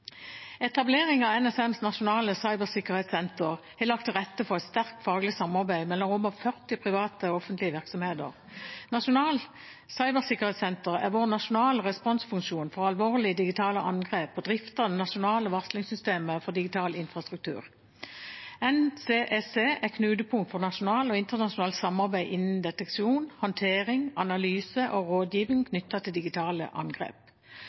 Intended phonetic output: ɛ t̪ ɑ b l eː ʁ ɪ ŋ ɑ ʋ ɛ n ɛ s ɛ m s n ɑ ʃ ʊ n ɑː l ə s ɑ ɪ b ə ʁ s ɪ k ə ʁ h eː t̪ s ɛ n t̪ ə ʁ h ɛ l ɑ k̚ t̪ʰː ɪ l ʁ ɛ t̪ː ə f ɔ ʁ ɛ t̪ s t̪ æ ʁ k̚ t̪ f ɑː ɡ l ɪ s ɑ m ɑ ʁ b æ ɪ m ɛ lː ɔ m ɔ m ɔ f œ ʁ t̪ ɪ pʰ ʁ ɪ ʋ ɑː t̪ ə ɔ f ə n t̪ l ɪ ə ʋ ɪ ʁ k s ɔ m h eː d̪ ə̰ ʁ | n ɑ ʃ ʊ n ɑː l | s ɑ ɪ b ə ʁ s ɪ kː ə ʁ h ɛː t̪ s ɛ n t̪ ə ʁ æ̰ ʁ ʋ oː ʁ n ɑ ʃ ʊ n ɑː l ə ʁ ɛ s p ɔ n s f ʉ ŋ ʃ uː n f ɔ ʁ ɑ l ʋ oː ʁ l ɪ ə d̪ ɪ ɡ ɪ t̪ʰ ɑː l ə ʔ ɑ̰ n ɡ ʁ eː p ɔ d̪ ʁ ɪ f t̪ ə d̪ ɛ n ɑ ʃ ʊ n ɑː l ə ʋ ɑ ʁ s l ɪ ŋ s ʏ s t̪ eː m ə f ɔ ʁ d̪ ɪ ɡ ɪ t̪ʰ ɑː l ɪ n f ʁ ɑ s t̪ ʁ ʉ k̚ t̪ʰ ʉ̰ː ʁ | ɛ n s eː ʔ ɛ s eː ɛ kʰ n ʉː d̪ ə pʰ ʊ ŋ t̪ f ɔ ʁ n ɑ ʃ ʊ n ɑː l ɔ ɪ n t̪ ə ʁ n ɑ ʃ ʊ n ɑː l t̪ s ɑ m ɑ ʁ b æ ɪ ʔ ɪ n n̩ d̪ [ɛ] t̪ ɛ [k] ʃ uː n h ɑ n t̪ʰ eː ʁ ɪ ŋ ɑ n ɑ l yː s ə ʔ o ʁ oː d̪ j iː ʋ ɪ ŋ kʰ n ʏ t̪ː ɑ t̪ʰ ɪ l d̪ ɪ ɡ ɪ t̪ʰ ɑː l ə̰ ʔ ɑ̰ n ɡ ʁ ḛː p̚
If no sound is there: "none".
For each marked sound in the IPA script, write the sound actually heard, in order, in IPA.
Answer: ɛ, k

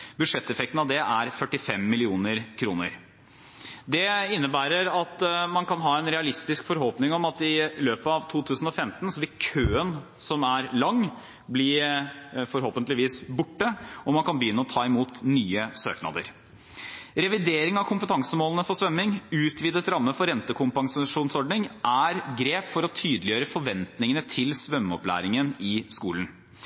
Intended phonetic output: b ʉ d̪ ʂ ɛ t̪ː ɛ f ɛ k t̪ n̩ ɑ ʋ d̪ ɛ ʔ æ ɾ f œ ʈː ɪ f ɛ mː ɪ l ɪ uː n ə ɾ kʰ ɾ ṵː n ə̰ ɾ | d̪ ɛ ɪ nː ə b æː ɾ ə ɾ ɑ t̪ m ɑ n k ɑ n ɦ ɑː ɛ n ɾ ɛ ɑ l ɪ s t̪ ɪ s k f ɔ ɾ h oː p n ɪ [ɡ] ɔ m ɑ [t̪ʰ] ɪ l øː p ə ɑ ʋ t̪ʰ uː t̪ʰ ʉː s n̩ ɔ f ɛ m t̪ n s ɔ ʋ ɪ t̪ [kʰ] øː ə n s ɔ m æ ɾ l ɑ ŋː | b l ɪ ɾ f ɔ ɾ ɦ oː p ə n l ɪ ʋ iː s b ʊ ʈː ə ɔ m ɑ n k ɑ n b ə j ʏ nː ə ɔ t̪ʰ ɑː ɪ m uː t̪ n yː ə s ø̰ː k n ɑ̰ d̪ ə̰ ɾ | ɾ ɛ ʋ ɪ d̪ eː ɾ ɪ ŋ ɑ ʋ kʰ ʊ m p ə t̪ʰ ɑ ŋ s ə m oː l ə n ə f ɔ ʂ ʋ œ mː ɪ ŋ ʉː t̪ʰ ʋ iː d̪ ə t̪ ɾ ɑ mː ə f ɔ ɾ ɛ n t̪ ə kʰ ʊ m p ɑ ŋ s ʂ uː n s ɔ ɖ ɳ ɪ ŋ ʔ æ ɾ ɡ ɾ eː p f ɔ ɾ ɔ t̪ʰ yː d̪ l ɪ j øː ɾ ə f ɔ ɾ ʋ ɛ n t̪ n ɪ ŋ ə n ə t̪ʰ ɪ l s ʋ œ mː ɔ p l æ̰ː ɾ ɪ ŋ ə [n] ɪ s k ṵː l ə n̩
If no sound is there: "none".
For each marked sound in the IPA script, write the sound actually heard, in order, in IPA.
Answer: ŋ, t̪, kʰ, n

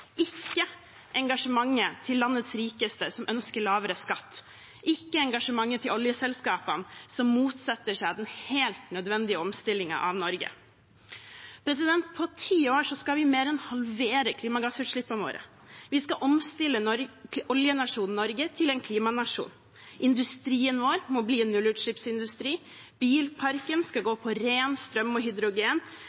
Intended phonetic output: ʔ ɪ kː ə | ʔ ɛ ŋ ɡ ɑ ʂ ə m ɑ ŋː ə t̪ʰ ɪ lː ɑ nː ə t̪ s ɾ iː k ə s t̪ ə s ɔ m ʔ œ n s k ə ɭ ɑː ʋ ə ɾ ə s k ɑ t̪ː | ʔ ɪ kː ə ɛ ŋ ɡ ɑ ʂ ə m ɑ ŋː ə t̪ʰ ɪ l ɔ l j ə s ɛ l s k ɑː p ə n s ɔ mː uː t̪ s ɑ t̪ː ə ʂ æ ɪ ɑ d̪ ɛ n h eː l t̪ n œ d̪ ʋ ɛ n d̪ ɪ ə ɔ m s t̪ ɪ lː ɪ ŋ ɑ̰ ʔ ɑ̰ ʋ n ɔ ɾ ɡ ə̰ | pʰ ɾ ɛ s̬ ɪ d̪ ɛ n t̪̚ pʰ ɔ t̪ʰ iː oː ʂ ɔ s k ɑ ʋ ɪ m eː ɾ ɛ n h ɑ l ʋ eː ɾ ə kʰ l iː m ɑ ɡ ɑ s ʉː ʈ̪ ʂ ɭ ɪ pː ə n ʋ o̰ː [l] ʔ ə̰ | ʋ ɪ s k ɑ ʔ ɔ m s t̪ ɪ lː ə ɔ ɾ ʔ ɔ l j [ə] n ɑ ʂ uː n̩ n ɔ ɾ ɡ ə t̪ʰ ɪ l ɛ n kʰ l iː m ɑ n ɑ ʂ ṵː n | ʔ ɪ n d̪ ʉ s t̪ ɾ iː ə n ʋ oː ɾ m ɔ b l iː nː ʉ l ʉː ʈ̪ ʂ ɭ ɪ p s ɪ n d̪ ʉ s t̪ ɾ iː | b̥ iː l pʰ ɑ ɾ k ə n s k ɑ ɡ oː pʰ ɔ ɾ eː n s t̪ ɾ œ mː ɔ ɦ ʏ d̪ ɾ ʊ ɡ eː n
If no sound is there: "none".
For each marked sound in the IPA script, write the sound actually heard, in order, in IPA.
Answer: ɾ, ə

